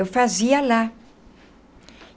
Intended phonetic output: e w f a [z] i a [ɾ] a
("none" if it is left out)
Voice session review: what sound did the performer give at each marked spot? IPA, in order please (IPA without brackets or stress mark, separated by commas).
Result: z, l